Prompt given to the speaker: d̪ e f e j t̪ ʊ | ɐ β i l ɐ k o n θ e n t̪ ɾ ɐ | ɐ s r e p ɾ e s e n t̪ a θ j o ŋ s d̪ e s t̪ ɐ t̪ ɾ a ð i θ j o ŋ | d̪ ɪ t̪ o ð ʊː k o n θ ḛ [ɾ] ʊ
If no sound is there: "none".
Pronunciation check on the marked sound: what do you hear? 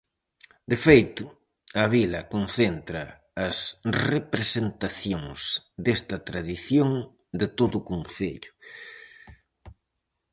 ʎ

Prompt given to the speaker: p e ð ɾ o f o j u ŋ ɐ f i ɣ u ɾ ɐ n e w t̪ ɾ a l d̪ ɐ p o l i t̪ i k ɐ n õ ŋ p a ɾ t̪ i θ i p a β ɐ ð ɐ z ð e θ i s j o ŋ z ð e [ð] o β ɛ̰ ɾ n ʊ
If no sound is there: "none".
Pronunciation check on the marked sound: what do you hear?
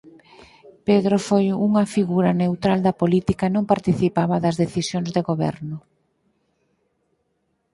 ɣ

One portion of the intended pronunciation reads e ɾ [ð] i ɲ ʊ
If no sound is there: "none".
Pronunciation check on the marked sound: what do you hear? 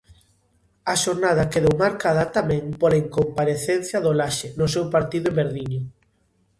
ð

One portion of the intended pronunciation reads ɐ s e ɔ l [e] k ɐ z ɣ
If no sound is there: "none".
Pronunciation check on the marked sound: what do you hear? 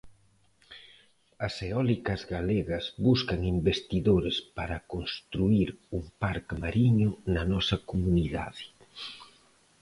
i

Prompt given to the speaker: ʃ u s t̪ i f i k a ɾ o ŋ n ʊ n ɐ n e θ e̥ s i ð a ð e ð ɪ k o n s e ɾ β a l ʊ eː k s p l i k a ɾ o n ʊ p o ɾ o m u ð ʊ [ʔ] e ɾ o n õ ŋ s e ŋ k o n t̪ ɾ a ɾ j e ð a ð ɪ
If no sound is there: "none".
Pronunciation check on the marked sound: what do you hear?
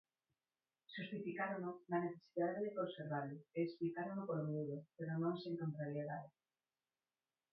p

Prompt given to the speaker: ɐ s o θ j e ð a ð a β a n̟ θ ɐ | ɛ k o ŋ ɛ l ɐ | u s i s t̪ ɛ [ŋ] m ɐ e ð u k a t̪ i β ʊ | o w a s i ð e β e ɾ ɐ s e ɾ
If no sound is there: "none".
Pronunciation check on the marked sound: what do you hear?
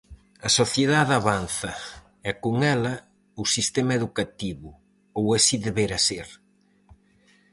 none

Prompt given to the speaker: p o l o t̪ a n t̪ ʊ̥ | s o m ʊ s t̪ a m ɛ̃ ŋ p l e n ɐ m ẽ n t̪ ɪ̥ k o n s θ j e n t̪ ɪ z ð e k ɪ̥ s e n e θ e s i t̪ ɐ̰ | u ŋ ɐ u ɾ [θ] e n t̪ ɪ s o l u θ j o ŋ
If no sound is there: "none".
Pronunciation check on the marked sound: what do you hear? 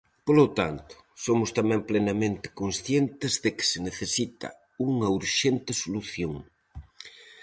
ʃ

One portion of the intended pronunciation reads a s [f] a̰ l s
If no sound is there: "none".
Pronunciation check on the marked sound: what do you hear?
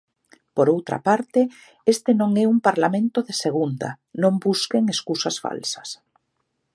f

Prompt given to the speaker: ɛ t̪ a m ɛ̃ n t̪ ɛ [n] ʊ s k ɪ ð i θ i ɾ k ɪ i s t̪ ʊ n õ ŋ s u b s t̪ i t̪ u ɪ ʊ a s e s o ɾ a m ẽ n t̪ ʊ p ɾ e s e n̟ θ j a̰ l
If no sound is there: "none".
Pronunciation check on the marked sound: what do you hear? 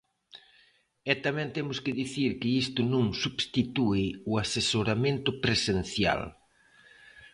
m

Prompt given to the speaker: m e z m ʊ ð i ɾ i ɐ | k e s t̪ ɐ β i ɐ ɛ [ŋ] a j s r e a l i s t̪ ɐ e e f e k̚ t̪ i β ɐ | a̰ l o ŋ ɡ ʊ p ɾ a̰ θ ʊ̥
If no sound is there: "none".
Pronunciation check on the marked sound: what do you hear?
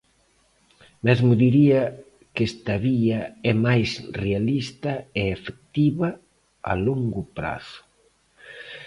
m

